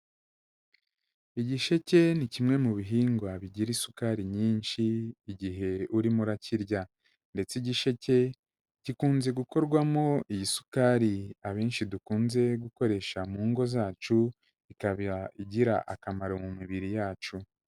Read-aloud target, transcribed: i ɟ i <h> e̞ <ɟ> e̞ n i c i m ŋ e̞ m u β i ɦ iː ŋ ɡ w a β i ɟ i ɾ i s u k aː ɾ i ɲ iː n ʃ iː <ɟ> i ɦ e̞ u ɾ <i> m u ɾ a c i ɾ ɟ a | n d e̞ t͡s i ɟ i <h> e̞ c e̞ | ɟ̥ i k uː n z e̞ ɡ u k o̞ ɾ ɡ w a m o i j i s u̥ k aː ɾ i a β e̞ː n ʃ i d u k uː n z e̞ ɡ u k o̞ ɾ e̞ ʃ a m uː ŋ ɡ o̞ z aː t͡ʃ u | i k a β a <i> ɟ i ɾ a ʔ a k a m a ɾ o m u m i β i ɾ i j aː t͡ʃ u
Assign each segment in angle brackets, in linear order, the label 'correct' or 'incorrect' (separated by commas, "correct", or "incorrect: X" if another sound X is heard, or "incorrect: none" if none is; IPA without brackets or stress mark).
incorrect: ʃ, incorrect: c, correct, correct, incorrect: ʃ, correct